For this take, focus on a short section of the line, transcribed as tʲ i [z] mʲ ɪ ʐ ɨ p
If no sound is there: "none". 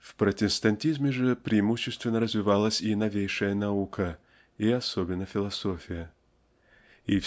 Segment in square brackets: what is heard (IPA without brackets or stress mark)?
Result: z